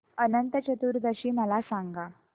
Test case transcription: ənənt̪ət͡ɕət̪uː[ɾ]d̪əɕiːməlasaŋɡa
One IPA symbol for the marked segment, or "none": ɾ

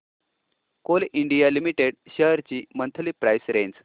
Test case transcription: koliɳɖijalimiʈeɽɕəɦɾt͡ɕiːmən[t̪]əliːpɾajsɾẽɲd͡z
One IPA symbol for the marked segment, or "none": t̪ʰ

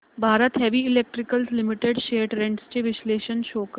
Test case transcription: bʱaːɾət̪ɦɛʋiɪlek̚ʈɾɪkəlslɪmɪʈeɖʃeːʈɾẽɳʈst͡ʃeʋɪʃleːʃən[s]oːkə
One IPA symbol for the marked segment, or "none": ʃ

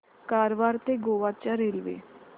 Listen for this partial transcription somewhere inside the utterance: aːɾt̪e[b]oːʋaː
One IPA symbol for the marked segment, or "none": ɡ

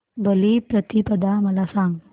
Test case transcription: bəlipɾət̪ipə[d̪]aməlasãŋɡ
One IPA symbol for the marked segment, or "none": d̪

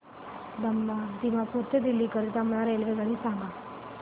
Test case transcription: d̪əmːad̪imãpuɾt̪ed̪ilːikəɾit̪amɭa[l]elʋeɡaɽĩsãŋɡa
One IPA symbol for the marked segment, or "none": ɾ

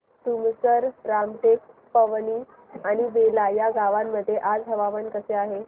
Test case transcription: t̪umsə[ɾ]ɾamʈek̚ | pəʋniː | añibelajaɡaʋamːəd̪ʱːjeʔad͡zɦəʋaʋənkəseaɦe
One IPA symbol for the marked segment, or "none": ɾ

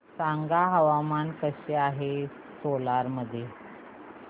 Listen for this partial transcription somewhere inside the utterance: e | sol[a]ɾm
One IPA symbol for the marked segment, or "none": a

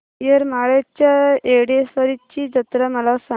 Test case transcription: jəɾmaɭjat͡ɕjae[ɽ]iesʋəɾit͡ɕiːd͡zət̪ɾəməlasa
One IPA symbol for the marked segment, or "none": ɽ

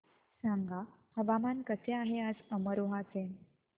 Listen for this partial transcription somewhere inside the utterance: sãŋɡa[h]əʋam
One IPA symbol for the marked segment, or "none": h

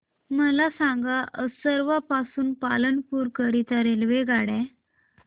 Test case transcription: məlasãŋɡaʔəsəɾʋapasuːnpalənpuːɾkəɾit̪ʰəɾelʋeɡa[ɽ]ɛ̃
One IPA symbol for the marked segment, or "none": ɽ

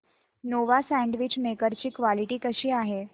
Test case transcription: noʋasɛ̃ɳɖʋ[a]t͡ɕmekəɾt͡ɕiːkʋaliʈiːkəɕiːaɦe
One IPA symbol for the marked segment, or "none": i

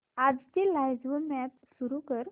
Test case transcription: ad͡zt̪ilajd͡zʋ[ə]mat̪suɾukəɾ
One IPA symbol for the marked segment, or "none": ə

